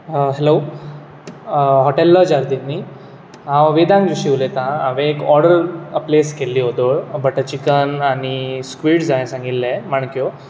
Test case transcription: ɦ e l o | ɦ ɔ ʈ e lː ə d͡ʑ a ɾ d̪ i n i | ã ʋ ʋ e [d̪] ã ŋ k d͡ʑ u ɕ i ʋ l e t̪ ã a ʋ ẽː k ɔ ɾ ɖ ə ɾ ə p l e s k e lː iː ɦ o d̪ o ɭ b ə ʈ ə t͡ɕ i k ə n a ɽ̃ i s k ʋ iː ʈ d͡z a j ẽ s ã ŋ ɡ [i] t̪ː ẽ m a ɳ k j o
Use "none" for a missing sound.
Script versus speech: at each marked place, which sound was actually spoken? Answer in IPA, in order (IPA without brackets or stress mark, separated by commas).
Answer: d̪, i